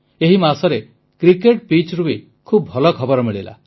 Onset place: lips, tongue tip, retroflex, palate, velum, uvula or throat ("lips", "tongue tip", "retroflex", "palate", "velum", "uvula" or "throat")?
throat